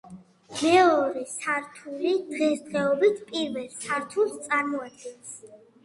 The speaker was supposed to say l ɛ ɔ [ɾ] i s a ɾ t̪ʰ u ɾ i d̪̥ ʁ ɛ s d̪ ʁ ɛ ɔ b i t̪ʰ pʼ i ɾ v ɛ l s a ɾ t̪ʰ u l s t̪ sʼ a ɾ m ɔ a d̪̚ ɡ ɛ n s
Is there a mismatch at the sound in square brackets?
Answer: no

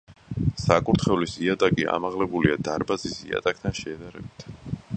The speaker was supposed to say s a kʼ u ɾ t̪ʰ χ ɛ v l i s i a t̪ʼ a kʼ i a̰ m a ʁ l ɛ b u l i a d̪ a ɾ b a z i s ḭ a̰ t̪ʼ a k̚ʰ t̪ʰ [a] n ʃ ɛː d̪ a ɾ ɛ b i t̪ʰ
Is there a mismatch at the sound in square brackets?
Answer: no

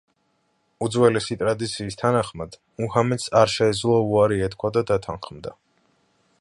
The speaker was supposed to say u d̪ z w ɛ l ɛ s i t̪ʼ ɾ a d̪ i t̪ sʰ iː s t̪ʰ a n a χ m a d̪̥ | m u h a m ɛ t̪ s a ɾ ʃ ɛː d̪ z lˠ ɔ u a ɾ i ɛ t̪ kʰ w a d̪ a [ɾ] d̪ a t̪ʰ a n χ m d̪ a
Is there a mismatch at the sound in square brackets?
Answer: yes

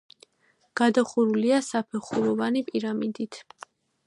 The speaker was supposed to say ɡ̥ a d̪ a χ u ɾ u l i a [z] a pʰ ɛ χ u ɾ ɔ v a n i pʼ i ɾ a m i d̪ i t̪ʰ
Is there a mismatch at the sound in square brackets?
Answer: yes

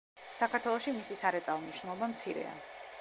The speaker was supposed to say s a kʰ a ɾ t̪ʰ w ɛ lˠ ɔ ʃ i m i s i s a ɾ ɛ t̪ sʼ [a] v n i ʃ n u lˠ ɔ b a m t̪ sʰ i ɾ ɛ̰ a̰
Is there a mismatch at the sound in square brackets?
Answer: no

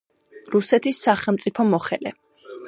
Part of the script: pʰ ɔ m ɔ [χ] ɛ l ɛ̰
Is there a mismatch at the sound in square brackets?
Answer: no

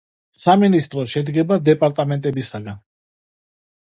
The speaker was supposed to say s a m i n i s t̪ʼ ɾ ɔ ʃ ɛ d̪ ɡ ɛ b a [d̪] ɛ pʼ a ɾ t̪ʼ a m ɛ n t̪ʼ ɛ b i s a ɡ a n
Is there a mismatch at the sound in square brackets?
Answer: no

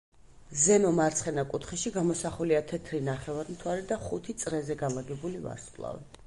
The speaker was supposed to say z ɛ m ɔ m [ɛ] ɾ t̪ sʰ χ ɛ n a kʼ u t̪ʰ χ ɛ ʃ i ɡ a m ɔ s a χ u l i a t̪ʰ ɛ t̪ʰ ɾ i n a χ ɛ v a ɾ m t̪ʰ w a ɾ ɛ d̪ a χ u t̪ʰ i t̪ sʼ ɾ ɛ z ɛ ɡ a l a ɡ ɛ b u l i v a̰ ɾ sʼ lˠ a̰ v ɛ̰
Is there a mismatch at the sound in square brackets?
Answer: yes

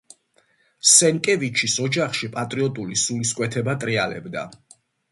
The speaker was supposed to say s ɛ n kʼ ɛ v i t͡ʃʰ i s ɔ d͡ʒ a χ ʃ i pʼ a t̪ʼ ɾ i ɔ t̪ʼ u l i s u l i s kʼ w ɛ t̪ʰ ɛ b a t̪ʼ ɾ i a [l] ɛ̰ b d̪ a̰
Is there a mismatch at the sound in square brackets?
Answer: no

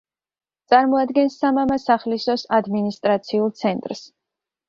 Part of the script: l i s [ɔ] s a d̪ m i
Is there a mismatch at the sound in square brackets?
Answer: no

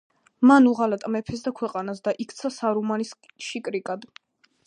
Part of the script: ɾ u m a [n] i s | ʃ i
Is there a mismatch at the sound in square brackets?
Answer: no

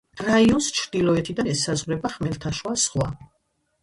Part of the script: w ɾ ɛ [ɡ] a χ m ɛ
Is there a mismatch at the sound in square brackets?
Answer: yes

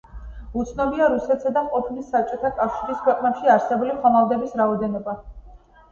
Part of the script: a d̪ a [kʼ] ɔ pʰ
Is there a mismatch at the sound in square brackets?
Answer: yes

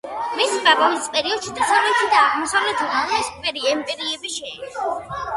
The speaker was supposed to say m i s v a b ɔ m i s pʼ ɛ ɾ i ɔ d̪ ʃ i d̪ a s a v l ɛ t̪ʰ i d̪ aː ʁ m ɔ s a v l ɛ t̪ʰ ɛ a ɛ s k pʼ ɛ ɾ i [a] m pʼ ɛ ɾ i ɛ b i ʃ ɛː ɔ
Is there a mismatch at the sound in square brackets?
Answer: yes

